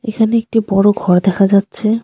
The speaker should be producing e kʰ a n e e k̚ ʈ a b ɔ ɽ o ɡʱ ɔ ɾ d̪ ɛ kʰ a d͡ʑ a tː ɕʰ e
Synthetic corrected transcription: e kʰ a n e e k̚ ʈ i b ɔ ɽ o ɡʱ ɔ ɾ d̪ ɛ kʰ a d͡ʑ a tː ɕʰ e